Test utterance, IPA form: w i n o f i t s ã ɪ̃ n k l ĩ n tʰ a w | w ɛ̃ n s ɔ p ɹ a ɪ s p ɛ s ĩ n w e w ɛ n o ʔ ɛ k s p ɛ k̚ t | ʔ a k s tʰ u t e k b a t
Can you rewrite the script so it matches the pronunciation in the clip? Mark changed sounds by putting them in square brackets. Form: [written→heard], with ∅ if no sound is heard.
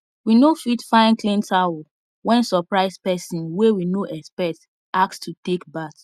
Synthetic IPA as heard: w i n o f i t [s→f] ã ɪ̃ n k l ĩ n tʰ a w | w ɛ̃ n s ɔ p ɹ a ɪ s p ɛ s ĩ n w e w [ɛ→i] n o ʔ ɛ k s p ɛ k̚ t | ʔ a k s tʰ u t e k b a t